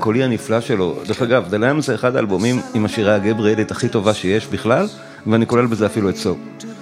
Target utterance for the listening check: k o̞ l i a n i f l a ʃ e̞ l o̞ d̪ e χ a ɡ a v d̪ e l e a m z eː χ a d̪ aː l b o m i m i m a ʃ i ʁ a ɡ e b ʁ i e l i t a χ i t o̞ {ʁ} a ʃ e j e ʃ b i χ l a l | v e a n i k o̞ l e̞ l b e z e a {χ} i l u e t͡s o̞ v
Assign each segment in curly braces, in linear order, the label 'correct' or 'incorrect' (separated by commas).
incorrect, incorrect